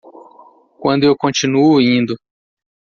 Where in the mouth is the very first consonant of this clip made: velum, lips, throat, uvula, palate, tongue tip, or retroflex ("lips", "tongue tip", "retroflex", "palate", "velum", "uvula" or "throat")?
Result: velum